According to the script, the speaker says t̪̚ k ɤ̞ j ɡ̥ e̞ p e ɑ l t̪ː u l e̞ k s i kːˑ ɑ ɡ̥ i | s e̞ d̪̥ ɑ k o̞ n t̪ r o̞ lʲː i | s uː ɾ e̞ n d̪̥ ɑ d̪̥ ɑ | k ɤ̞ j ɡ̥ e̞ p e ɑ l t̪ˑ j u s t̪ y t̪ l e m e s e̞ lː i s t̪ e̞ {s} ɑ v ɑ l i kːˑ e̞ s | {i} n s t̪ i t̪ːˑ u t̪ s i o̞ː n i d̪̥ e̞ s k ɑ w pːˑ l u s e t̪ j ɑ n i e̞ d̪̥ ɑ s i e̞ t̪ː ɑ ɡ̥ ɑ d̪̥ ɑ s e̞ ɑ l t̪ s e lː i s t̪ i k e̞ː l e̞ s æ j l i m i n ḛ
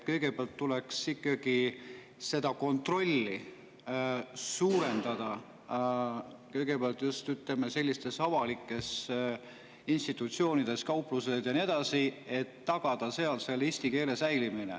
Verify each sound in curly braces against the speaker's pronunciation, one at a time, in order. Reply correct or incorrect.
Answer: correct, correct

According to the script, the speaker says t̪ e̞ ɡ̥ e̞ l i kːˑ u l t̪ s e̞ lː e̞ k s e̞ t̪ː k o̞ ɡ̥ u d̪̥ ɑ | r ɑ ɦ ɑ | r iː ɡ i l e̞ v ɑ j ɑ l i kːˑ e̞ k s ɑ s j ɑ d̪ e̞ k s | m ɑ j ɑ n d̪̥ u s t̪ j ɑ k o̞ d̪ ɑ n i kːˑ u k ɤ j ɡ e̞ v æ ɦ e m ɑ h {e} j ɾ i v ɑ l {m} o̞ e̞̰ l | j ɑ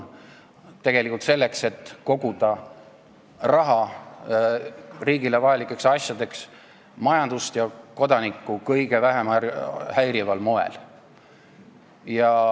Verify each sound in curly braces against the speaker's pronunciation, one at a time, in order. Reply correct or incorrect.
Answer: incorrect: æ, correct

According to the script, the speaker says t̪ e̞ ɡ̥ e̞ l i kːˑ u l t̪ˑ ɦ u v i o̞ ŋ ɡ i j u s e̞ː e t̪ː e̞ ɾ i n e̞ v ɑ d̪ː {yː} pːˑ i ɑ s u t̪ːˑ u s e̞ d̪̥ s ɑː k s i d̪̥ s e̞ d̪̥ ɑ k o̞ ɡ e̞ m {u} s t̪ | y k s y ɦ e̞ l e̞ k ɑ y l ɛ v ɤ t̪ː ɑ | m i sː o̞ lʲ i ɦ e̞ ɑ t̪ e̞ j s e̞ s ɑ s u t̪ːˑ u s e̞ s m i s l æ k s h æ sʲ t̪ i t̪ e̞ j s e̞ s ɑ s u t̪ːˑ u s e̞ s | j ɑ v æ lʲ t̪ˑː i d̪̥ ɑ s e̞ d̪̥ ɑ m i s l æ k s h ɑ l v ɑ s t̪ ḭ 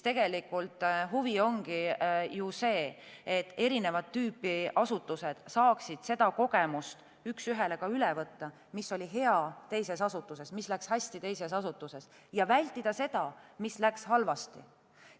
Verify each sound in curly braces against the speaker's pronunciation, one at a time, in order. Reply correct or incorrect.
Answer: correct, correct

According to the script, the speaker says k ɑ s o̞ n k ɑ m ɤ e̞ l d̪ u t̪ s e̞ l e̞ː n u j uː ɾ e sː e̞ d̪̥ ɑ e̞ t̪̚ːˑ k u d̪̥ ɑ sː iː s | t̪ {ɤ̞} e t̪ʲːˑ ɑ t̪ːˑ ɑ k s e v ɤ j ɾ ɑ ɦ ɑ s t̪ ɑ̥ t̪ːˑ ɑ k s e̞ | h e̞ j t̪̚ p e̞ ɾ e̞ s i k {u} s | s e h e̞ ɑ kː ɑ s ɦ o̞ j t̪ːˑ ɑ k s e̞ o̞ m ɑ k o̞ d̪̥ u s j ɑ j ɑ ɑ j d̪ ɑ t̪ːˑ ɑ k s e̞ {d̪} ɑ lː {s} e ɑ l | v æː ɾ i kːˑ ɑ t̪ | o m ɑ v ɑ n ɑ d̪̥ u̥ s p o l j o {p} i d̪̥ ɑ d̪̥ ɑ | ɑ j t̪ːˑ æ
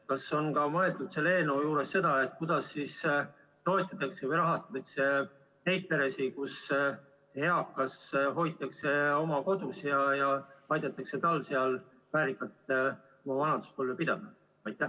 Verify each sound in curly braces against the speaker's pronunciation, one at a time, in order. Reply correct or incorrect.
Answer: incorrect: o̞, correct, incorrect: t̪, correct, correct

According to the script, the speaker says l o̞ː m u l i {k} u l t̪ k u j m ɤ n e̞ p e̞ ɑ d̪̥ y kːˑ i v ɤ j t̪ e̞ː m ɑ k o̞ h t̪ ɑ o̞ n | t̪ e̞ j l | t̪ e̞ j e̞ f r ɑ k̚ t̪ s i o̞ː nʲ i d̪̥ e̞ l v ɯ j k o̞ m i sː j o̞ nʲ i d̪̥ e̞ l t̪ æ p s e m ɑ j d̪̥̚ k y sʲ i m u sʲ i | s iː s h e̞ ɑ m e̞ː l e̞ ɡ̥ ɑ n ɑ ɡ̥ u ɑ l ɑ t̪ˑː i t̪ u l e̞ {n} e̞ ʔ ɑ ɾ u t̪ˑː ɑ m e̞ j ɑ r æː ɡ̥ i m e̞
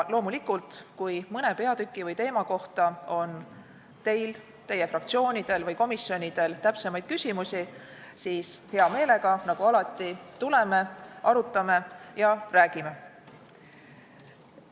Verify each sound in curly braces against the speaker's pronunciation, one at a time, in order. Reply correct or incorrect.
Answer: correct, incorrect: m

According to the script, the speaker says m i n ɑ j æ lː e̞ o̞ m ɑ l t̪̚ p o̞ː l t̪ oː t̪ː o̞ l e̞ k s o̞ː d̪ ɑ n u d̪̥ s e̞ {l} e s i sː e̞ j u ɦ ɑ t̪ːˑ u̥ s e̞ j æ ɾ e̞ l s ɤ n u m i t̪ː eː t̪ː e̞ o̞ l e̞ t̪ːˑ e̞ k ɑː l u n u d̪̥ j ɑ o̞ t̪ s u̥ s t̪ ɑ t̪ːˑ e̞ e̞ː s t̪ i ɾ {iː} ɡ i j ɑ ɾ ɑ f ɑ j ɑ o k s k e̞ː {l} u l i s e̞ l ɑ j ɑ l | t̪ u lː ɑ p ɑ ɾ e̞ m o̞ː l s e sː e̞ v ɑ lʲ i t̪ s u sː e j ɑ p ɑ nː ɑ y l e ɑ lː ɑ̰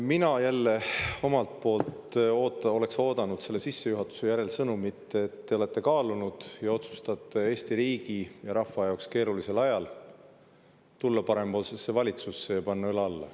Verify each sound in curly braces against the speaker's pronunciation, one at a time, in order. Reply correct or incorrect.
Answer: incorrect: lː, correct, incorrect: ɾ

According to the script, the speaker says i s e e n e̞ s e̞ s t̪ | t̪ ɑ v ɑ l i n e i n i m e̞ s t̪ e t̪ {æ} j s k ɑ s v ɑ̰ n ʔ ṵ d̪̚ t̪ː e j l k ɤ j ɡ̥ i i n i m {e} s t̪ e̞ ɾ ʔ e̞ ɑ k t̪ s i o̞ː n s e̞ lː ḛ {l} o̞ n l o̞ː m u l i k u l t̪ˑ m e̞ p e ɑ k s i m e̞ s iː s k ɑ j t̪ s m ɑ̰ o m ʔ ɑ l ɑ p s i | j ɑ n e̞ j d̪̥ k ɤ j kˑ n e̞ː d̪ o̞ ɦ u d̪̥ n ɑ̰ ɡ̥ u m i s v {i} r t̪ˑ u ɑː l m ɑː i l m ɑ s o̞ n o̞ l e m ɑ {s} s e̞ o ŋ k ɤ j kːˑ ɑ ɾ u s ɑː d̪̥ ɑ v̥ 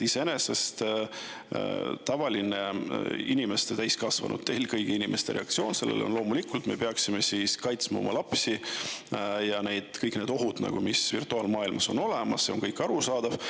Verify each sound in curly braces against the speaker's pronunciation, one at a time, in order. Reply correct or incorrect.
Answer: correct, correct, correct, correct, correct

